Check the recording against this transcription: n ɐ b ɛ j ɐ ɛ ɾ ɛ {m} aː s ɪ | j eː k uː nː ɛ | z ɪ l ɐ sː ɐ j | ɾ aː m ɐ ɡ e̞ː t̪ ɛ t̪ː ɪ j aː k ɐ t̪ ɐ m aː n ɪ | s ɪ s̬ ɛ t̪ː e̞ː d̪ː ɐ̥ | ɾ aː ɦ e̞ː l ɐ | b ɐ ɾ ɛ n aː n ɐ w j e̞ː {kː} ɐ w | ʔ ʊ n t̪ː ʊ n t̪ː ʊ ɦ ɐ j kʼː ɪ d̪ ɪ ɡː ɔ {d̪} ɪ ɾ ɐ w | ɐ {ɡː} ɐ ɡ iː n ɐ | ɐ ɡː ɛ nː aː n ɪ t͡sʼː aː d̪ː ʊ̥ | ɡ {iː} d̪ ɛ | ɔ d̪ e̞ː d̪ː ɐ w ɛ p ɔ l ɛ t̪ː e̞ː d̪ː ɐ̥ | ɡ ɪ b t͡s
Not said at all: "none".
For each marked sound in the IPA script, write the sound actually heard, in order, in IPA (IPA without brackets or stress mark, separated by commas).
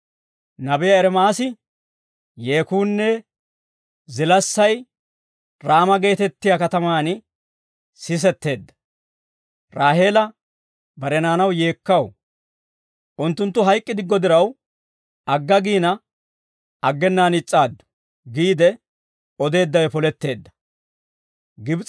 m, kː, d̪, ɡː, iː